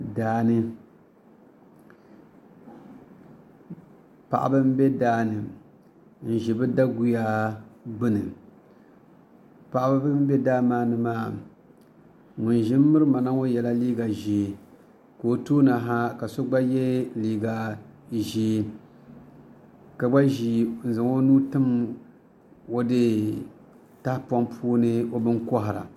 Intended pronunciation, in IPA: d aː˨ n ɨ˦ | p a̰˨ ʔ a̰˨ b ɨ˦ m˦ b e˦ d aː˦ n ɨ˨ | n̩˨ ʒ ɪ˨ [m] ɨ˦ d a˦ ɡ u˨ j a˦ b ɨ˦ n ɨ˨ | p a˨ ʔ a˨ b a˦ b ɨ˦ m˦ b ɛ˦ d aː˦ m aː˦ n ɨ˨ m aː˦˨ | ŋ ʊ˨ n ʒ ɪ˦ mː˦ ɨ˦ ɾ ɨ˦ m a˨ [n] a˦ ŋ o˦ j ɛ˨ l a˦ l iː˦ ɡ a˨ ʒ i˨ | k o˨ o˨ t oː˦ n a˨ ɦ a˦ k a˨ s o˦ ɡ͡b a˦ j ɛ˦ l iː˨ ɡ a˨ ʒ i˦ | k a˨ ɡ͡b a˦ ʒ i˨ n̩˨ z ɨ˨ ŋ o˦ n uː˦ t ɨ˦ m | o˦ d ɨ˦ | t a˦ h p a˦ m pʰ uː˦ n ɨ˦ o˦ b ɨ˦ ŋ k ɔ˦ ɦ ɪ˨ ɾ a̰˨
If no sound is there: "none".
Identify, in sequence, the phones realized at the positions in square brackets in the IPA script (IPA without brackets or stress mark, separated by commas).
b, n